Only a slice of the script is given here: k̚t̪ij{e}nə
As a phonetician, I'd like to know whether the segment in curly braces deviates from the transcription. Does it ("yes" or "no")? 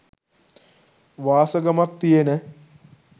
no